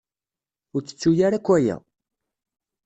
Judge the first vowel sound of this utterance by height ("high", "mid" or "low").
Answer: high